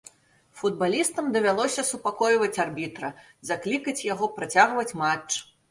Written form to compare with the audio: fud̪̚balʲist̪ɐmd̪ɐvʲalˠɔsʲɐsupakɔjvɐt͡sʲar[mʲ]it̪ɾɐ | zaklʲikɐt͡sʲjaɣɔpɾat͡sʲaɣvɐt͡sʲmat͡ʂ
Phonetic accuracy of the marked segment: incorrect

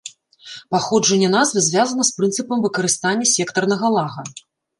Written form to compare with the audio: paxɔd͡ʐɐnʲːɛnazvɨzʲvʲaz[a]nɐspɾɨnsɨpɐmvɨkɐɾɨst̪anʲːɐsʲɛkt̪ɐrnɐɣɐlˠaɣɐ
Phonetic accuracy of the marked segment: incorrect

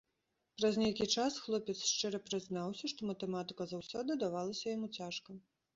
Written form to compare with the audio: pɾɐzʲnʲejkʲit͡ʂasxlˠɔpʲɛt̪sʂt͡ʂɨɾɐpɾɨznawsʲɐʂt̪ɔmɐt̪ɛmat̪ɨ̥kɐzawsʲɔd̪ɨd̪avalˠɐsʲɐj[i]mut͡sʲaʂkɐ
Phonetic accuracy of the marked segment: incorrect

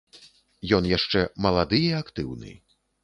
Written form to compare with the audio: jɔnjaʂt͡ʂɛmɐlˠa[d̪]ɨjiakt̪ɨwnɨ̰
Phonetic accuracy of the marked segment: correct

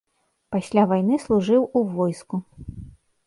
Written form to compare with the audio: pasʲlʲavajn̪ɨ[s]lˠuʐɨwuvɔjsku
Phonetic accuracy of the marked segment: correct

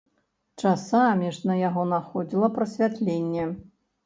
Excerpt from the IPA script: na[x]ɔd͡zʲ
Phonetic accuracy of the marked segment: correct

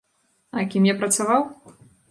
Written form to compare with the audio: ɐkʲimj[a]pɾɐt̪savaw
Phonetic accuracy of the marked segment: correct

